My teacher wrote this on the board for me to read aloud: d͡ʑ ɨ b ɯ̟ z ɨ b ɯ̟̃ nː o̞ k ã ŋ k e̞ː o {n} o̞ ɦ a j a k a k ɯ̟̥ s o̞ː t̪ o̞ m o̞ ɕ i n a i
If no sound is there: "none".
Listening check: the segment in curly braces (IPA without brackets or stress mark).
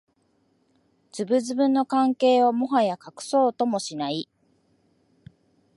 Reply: m